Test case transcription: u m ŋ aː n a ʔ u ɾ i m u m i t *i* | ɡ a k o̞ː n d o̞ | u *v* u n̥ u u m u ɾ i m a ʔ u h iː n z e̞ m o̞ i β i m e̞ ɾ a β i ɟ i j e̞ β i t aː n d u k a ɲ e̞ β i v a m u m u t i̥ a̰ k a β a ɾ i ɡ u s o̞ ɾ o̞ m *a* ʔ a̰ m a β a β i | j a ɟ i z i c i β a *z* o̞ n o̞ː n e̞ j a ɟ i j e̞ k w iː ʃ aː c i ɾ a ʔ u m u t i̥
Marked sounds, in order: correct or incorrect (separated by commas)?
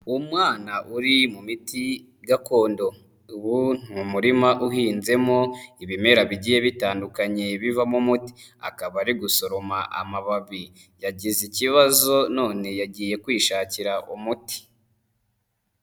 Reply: correct, incorrect, correct, correct